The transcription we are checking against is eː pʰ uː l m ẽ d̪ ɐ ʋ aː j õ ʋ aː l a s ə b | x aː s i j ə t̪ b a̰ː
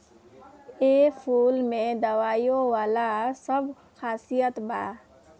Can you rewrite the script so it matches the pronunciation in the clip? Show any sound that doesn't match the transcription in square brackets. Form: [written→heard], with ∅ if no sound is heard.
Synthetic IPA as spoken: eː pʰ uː l m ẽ d̪ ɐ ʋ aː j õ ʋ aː l a s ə b | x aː s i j ə t̪ b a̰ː